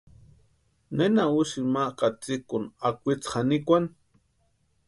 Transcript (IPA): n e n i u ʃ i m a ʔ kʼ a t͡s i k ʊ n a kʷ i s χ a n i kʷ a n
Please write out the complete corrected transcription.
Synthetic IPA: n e n a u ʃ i m a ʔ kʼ a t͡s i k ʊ n a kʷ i t͡s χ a n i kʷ a n